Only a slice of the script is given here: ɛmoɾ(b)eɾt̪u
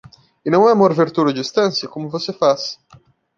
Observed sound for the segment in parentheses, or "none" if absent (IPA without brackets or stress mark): v